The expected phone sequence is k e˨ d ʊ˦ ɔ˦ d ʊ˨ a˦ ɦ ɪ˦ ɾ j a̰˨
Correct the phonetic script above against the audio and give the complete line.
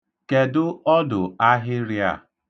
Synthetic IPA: k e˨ d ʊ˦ ɔ˦ d ʊ˨ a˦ ɦ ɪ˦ ɾ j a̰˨